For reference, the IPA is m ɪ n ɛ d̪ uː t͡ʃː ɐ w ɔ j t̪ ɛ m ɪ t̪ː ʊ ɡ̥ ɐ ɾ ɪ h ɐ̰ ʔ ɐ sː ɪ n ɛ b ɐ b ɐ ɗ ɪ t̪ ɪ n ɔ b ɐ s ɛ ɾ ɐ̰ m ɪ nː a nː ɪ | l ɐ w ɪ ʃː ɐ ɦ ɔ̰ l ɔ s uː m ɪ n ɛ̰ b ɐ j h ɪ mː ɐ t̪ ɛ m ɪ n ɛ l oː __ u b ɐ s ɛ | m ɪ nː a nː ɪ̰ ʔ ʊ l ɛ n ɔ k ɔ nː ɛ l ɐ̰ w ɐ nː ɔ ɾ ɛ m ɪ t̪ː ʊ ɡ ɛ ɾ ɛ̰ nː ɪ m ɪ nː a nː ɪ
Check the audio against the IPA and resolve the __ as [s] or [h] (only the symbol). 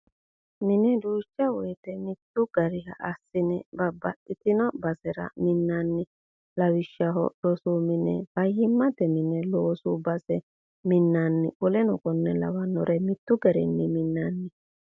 s